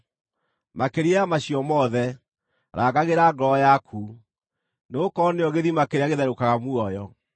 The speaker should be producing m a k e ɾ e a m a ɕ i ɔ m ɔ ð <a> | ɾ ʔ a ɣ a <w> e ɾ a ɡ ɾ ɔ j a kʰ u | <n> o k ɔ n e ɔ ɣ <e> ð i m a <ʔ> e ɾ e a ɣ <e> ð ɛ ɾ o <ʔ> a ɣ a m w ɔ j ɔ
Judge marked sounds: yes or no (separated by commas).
no, no, yes, yes, no, yes, no